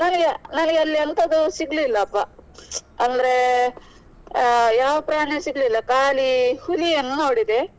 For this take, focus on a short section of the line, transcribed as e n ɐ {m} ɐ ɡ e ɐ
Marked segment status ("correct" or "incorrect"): incorrect